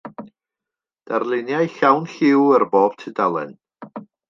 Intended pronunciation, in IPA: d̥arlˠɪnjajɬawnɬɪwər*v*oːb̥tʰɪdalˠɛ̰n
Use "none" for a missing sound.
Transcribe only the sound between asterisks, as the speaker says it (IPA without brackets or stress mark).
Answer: b